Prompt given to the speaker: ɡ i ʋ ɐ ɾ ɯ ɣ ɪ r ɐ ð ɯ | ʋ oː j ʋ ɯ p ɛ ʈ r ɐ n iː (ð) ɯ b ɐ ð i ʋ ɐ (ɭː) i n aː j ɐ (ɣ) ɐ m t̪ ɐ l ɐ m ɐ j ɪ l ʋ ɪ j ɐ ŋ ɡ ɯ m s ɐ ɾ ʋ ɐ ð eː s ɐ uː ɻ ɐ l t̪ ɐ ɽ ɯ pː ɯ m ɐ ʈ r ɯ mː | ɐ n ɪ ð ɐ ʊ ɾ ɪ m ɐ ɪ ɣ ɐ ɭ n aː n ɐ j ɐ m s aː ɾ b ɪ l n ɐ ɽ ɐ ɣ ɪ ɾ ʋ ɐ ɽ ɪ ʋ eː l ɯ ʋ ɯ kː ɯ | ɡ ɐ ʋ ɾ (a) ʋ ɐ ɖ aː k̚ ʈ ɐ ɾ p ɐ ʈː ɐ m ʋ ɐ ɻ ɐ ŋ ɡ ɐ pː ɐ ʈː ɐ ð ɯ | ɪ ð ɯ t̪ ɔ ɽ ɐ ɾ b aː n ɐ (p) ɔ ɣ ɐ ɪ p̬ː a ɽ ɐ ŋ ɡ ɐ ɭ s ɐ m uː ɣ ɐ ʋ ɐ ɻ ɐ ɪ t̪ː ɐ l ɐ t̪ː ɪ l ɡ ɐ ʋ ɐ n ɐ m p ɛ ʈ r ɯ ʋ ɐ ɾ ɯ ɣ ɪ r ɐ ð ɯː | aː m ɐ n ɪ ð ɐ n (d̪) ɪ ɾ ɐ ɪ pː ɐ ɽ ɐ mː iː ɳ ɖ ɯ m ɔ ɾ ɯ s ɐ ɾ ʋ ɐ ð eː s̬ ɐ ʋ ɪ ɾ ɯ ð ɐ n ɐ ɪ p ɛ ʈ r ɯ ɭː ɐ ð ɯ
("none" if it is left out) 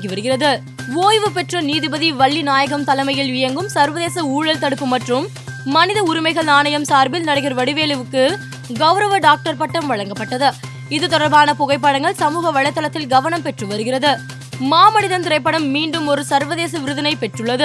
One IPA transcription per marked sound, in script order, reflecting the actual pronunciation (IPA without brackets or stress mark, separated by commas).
ð, ɭː, ɣ, ɐ, p, t̪